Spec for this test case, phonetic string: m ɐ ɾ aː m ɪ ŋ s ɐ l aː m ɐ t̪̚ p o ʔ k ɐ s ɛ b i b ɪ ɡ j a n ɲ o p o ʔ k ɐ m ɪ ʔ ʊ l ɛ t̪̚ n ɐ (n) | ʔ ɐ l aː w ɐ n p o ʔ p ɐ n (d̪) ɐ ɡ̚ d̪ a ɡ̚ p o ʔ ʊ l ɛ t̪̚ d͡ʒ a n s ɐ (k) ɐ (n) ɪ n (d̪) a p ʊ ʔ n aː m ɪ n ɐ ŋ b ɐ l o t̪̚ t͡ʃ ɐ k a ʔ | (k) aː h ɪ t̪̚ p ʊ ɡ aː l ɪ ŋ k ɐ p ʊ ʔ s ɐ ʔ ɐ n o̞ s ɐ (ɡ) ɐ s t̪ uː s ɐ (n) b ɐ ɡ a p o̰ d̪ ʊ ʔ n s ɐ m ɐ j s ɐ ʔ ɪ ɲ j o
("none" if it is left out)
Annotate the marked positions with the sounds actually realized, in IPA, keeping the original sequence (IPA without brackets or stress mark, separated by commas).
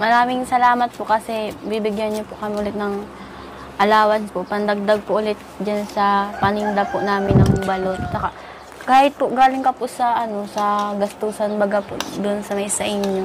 ŋ, d̪, p, n, d̪, k, ɡ, n